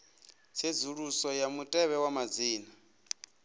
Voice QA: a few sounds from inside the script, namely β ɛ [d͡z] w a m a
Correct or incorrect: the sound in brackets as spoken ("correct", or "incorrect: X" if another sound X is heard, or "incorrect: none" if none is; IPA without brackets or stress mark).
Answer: incorrect: none